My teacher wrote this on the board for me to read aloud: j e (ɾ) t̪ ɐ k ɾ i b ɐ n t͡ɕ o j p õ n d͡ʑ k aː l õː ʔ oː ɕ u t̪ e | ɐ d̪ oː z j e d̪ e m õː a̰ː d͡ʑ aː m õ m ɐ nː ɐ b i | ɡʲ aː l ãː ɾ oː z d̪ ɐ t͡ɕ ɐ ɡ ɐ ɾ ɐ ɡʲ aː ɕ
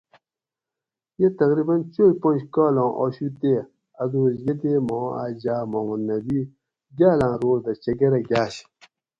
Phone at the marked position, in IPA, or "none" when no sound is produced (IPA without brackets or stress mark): none